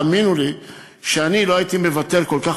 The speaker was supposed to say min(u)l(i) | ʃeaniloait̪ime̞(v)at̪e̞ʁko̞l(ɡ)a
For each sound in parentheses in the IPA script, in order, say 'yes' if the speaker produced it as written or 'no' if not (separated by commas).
yes, yes, yes, no